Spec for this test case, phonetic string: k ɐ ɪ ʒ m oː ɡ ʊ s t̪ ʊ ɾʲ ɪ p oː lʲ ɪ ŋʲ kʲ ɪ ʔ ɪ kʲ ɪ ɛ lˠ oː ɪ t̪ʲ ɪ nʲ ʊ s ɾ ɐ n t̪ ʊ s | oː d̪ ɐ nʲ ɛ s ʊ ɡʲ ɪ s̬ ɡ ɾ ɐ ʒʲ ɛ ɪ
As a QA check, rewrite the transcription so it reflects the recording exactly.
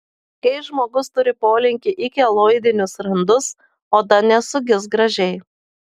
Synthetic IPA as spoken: k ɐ ɪ ʒ m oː ɡ ʊ s t̪ ʊ ɾʲ ɪ p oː lʲ ɪ ŋʲ kʲ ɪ ʔ ɪ kʲ ɪ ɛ lˠ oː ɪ d̪ʲ ɪ nʲ ʊ s ɾ ɐ n d̪ ʊ s | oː d̪ ɐ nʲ ɛ s ʊ ɡʲ ɪ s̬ ɡ ɾ ɐ ʒʲ ɛ ɪ